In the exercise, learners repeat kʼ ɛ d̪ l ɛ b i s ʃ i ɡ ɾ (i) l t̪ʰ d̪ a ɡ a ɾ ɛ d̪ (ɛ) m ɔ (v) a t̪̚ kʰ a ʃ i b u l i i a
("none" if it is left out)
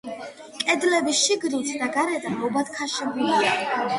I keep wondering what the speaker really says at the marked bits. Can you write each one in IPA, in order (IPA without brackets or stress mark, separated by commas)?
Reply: i, a, b